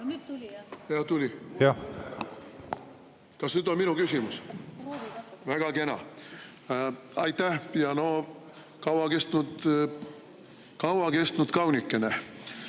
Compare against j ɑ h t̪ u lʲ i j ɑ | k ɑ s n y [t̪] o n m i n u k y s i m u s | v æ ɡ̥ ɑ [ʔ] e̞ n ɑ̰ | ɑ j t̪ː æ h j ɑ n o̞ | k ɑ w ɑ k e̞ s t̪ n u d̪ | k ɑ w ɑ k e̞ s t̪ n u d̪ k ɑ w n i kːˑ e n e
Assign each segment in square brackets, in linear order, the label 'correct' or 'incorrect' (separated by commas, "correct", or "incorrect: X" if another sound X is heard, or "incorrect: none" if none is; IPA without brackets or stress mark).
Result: incorrect: d̪, incorrect: k